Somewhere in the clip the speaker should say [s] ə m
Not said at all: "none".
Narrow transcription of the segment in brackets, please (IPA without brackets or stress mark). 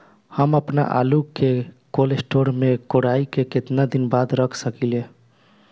h